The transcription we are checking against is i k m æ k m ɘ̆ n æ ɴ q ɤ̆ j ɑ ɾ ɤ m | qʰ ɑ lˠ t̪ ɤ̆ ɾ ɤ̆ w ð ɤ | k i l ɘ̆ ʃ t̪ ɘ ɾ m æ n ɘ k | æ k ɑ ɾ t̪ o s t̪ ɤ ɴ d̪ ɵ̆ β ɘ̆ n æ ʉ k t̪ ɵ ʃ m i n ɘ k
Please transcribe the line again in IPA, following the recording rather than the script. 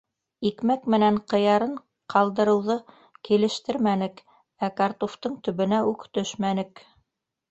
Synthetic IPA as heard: i k m æ k m ɘ̆ n æ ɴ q ɤ̆ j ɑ ɾ ɤ ɴ | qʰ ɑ lˠ d̪ ɤ̆ ɾ ɤ̆ w ð ɤ | k i l ɘ̆ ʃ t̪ ɘ ɾ m æ n ɘ k | æ k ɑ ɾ t̪ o f t̪ ɤ ɴ t̪ ɵ̆ β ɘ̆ n æ ʉ k t̪ ɵ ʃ m æ n ɘ k

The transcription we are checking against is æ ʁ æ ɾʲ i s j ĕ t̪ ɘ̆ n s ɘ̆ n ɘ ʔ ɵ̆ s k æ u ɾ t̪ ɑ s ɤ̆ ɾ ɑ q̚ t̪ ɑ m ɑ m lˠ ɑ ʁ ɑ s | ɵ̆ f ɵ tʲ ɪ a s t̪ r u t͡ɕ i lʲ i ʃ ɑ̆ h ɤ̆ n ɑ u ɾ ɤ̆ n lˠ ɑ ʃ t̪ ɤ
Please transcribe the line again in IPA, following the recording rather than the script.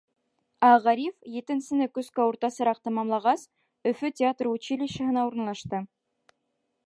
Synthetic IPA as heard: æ ʁ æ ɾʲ i f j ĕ t̪ ɘ̆ n s ɘ̆ n ɘ k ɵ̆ s k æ u ɾ t̪ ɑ s ɤ̆ ɾ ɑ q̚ t̪ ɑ m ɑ m lˠ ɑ ʁ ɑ s | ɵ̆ f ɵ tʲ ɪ a t̪ r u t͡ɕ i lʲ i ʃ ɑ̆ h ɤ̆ n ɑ u ɾ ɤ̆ n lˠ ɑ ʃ t̪ ɤ

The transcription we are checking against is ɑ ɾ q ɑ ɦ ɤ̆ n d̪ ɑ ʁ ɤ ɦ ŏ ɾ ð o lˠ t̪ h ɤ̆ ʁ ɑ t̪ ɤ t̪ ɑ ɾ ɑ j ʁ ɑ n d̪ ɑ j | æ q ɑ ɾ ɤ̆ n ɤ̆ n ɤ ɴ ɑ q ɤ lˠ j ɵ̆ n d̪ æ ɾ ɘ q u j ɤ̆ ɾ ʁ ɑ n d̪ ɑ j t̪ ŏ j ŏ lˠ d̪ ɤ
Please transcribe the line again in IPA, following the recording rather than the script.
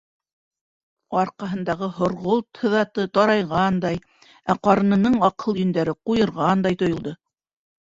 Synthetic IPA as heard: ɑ ɾ q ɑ ɦ ɤ̆ n d̪ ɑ ʁ ɤ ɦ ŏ ɾ ʁ o lˠ t̪ h ɤ̆ ð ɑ t̪ ɤ t̪ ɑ ɾ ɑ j ʁ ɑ n d̪ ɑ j | æ q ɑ ɾ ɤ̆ n ɤ̆ n ɤ ɴ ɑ q ɤ lˠ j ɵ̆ n d̪ æ ɾ ɘ q u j ɤ̆ ɾ ʁ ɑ n d̪ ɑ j t̪ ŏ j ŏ lˠ d̪ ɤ

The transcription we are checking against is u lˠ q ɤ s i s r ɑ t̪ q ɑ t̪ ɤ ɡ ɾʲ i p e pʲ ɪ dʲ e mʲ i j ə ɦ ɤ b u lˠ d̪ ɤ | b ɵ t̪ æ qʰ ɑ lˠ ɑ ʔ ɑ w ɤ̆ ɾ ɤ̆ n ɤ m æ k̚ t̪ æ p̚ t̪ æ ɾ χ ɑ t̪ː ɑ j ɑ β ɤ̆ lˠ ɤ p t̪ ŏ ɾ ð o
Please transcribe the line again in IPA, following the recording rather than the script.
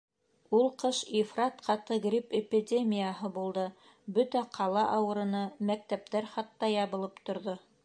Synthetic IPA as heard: u lˠ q ɤ ʃ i f r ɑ t̪ q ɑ t̪ ɤ ɡ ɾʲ i p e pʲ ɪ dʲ e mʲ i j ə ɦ ɤ b u lˠ d̪ ɤ | b ɵ t̪ æ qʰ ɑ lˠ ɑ ʔ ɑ w ɤ̆ ɾ ɤ̆ n ɤ m æ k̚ t̪ æ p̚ t̪ æ ɾ χ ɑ t̪ː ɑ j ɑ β ɤ̆ lˠ ɤ p t̪ ŏ ɾ ð o

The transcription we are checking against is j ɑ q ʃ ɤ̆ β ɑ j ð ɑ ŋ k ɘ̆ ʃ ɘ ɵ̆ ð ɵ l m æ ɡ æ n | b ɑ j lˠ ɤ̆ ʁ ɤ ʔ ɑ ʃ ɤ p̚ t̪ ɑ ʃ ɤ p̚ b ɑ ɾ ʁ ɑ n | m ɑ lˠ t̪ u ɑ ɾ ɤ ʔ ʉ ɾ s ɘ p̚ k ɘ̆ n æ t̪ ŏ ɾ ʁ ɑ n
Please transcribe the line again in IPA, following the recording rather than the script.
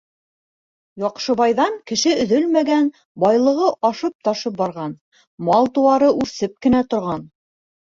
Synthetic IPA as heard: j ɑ q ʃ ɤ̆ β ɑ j ð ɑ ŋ k ɘ̆ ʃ ɘ ɵ̆ ð ɵ l m æ ɡ æ n | b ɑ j lˠ ɤ̆ ʁ ɤ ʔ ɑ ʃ ɤ p̚ t̪ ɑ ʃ ɤ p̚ b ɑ ɾ ʁ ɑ n | m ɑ lˠ t̪ u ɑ ɾ ɤ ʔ ʉ ɾ s ɘ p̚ k ɘ̆ n æ t̪ ŏ ɾ ʁ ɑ n

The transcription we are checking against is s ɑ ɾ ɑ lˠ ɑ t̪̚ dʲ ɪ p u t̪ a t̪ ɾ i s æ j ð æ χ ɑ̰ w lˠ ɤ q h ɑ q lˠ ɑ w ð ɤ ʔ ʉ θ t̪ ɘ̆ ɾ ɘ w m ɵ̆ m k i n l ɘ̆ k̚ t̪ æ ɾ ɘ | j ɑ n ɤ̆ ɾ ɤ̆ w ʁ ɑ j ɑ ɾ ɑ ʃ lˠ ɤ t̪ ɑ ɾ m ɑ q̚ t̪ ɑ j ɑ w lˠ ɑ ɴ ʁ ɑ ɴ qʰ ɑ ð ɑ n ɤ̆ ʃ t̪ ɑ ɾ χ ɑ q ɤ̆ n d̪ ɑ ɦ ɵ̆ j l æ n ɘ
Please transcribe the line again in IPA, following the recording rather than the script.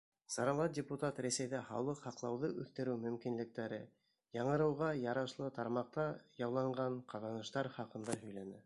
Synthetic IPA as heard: s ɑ ɾ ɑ lˠ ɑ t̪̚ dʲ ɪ p u t̪ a t̪ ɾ æ s æ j ð æ χ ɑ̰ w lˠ ɤ q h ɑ q lˠ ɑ w ð ɤ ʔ ʉ θ t̪ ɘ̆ ɾ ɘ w m ɵ̆ m k i n l ɘ̆ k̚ t̪ æ ɾ ɘ | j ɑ ɴ ɤ̆ ɾ ɤ̆ w ʁ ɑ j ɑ ɾ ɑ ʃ lˠ ɤ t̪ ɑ ɾ m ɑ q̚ t̪ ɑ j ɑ w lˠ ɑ ɴ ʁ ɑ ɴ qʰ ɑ ð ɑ n ɤ̆ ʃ t̪ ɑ ɾ χ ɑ q ɤ̆ n d̪ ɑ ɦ ɵ̆ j l æ n ɘ

